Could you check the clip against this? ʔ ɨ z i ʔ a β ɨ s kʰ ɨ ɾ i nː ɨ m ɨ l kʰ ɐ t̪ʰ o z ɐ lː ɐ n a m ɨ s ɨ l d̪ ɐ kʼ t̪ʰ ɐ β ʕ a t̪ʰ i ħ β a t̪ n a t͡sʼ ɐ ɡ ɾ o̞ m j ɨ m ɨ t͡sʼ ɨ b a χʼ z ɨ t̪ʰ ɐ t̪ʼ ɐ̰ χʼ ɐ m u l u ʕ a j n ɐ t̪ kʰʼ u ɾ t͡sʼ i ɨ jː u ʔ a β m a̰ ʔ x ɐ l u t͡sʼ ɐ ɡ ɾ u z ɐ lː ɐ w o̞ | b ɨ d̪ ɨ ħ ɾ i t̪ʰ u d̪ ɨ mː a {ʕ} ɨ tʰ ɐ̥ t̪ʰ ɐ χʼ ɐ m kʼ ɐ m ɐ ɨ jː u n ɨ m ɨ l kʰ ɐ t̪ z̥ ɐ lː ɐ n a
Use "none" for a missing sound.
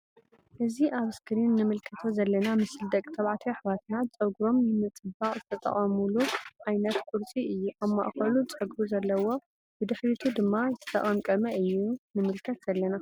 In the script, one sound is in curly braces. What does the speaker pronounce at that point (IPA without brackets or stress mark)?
z